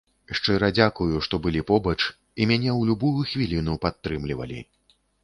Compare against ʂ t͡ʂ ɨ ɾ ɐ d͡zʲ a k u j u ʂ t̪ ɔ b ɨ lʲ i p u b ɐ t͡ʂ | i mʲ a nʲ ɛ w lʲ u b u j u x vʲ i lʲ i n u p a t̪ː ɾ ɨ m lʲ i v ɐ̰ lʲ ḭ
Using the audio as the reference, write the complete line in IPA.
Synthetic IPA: ʂ t͡ʂ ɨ ɾ ɐ d͡zʲ a k u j u ʂ t̪ ɔ b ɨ lʲ i p ɔ b ɐ t͡ʂ | i mʲ a nʲ ɛ w lʲ u b u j u x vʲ i lʲ i n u p a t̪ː ɾ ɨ m lʲ i v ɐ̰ lʲ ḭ